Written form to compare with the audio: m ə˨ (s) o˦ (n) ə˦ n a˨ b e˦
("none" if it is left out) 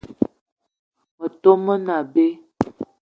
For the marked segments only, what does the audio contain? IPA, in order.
t, m

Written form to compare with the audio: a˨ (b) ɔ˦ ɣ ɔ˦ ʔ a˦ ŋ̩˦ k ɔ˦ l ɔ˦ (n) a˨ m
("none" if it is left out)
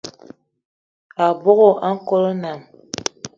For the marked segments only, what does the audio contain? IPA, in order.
b, n

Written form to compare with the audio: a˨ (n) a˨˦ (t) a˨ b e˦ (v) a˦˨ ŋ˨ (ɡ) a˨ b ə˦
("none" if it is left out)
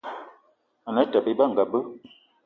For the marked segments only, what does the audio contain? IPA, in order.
n, t, b, ɡ

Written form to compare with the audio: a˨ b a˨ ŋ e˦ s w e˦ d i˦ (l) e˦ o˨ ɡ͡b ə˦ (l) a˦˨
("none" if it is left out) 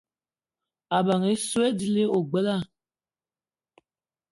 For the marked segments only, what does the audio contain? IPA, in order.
l, l

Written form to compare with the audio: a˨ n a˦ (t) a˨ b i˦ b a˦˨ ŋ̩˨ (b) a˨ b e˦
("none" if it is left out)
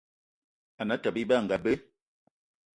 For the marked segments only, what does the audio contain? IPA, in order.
t, ɡ

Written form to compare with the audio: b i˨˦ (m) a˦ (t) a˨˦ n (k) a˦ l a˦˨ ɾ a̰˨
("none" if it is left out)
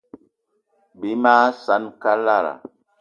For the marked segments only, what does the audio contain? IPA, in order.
m, s, k

